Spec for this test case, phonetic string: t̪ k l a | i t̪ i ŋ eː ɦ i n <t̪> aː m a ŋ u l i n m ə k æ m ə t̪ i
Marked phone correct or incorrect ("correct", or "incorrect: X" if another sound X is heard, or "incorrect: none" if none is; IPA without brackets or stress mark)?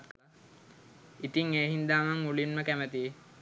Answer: incorrect: d̪